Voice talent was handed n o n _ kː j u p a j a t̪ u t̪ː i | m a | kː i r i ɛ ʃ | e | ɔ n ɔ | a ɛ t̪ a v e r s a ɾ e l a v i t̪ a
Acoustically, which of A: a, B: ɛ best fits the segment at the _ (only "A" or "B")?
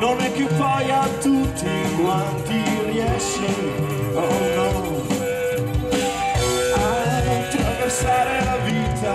B